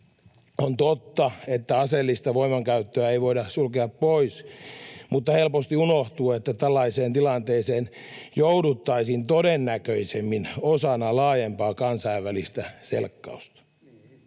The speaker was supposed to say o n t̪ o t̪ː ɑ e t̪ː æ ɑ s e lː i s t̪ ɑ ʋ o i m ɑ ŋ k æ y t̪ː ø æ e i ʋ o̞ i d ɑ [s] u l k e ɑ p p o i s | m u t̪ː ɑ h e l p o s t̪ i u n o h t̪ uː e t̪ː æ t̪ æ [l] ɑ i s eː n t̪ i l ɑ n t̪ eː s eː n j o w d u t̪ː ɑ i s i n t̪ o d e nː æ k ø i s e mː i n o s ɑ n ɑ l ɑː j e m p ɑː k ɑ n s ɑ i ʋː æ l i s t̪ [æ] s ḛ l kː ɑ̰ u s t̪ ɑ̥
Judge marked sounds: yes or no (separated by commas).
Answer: yes, no, yes